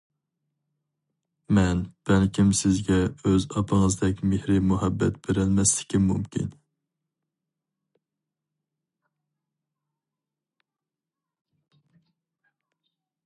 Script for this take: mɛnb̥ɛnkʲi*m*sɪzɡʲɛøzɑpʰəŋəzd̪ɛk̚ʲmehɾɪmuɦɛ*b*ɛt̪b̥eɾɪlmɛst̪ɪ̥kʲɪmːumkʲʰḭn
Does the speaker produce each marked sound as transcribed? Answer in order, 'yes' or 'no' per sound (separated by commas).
yes, no